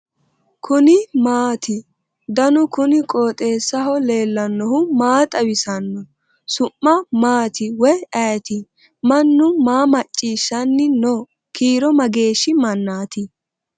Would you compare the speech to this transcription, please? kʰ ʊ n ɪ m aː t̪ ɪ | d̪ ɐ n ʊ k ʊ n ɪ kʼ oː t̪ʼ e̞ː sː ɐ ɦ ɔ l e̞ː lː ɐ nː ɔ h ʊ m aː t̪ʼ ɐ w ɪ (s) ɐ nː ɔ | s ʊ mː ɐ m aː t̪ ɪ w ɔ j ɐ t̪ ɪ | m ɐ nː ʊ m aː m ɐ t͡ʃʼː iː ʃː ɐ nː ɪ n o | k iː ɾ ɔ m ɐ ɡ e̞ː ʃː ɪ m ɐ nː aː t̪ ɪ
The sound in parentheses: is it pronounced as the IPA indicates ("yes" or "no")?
yes